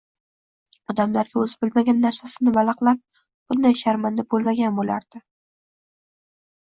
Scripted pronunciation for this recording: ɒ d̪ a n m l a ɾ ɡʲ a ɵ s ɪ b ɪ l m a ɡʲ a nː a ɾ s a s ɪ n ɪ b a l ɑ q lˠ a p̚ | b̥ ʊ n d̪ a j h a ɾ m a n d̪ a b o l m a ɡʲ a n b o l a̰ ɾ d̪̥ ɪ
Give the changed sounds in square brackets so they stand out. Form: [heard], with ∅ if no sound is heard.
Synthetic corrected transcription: ɒ d̪ a [∅] m l a ɾ ɡʲ a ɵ [z] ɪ b ɪ l m a ɡʲ a nː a ɾ s a s ɪ n ɪ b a l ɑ q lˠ a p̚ | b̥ ʊ n d̪ a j [ʃ] a ɾ m a n d̪ a b o l m a ɡʲ a n b o l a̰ ɾ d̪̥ ɪ